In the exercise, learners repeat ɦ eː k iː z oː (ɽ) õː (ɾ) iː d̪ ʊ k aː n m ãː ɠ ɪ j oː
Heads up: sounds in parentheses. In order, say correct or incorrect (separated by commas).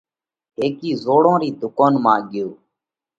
correct, correct